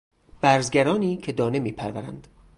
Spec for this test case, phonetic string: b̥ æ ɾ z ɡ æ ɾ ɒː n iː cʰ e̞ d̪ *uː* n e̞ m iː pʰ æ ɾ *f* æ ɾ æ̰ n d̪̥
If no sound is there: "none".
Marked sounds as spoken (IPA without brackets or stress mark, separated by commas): ɒː, v